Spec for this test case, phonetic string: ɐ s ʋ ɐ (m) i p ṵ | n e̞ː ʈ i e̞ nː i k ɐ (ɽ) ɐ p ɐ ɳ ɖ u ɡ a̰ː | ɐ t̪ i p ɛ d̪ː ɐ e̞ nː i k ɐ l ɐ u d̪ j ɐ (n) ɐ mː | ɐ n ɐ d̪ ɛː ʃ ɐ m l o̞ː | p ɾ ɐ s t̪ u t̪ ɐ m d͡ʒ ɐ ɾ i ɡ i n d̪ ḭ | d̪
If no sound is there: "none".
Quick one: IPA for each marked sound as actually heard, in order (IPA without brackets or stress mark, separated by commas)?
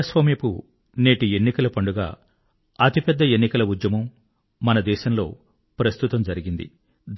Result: m, l, m